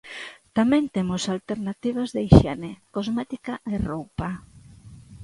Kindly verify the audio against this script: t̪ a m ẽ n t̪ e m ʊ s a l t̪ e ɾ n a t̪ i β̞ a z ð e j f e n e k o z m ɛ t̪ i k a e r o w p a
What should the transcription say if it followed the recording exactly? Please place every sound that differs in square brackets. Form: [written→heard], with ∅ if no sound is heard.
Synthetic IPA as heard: t̪ a m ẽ n t̪ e m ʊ s a l t̪ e ɾ n a t̪ i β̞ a z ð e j [f→ʃ] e n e k o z m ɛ t̪ i k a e r o w p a